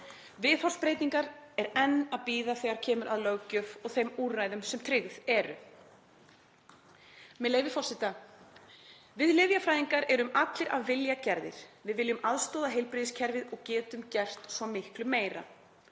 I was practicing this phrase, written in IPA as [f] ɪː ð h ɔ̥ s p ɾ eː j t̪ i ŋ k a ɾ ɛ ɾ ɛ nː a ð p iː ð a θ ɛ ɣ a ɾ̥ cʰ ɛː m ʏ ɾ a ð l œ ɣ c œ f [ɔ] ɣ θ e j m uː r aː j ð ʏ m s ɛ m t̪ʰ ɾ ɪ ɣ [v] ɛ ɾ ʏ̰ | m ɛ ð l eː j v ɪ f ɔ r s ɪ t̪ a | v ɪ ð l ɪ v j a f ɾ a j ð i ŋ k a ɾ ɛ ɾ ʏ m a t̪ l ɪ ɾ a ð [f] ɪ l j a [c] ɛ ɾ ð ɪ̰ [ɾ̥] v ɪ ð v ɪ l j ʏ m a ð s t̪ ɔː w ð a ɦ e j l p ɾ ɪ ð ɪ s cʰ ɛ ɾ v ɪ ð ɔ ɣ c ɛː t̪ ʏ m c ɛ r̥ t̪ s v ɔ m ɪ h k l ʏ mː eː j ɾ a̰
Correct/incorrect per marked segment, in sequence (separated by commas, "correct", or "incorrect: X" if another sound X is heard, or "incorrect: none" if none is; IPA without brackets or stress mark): incorrect: v, correct, incorrect: ð, incorrect: v, correct, correct